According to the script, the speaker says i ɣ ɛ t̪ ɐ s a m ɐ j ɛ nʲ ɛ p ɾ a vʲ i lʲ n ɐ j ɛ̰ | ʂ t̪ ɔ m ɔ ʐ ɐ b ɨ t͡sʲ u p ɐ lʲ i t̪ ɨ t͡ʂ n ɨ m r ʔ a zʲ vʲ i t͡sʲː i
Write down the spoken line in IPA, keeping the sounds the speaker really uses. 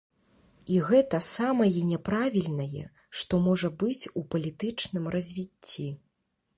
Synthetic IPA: i ɣ ɛ t̪ ɐ s a m ɐ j ɛ nʲ ɛ p ɾ a vʲ i lʲ n ɐ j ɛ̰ | ʂ t̪ ɔ m ɔ ʐ ɐ b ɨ t͡sʲ u p ɐ lʲ i t̪ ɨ t͡ʂ n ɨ m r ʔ ɐ zʲ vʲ i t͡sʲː i